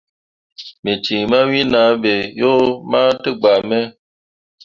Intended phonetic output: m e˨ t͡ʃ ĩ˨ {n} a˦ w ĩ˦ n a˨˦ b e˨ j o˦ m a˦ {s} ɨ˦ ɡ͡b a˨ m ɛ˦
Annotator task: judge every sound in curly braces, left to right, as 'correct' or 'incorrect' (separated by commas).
incorrect, incorrect